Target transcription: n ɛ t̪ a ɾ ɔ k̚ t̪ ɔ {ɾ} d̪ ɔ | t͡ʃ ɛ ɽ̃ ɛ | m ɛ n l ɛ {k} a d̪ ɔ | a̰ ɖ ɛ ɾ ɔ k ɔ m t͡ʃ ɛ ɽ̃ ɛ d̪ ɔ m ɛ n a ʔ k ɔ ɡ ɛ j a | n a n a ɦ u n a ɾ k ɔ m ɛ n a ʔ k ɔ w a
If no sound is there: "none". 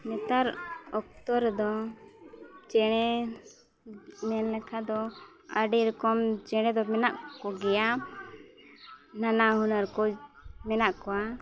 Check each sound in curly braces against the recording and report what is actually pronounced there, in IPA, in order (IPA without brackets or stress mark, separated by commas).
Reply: ɾ, kʰ